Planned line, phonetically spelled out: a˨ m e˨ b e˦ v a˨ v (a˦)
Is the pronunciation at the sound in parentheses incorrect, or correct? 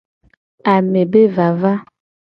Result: correct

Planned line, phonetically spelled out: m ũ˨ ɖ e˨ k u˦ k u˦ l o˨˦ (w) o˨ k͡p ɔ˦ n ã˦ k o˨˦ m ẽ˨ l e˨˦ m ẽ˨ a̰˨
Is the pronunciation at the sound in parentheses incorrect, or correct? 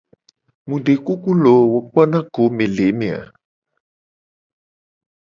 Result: correct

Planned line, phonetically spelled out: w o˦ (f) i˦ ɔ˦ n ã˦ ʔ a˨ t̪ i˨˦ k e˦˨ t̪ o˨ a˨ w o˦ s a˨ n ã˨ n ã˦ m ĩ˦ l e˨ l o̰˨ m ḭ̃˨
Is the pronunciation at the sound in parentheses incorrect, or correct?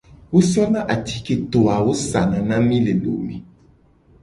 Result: incorrect: s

